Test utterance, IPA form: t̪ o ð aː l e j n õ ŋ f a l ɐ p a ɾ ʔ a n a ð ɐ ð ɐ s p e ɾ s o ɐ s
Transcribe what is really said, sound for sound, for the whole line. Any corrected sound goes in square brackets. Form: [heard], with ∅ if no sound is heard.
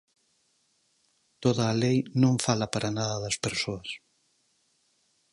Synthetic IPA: t̪ o ð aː l e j n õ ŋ f a l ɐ p a ɾ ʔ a n a ð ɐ ð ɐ s p e ɾ s o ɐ s